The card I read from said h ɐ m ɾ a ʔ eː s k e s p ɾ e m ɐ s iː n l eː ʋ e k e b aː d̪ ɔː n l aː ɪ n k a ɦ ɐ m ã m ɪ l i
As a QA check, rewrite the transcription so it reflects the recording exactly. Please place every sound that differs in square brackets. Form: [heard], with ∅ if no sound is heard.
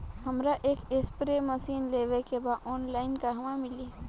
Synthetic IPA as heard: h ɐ m ɾ a ʔ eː [∅] k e s p ɾ e m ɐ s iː n l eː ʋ e k e b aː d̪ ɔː n l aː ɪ n k a ɦ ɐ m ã m ɪ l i